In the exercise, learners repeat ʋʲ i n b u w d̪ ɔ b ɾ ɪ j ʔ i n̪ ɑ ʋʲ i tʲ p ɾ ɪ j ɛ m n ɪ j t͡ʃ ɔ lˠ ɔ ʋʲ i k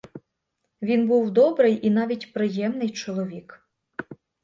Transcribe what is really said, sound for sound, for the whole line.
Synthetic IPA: ʋʲ i n b u w d̪ ɔ b ɾ ɪ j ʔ i n̪ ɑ ʋʲ i tʲ p ɾ ɪ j ɛ m n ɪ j t͡ʃ ɔ lˠ ɔ ʋʲ i k